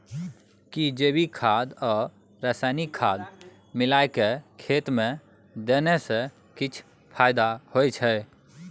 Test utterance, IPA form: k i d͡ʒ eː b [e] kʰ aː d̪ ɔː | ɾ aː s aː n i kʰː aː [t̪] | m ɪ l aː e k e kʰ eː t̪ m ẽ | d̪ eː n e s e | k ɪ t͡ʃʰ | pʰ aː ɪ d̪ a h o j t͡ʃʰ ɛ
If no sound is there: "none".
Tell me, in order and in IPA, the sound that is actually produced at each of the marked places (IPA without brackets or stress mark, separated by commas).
i, d̪